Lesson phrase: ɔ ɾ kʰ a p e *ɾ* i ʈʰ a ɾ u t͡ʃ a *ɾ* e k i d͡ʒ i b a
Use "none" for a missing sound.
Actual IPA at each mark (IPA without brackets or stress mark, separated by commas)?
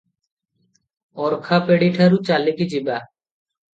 ɽ, l